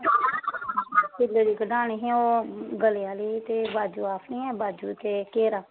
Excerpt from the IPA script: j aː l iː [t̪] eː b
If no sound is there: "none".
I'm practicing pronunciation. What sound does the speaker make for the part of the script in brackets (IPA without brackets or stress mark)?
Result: t̪